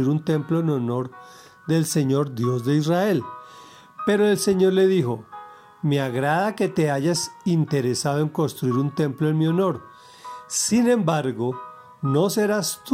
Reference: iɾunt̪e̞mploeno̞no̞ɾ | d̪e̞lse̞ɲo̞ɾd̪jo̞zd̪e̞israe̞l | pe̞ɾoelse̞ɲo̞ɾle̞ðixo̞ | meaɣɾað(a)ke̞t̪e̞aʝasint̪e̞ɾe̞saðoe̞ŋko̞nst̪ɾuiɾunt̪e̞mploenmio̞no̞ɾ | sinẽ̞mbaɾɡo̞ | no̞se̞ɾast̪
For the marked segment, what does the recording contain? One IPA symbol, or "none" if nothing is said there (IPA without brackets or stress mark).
a